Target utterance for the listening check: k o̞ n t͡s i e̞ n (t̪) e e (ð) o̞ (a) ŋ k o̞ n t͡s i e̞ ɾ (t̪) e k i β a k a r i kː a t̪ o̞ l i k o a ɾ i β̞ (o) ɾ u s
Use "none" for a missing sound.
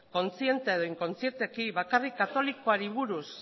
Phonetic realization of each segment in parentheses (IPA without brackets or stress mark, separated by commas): t̪, ð, i, t̪, u